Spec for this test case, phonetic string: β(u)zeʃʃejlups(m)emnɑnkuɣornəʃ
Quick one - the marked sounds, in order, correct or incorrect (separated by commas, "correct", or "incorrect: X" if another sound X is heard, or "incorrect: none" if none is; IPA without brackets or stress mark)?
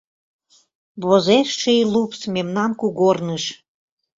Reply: incorrect: o, correct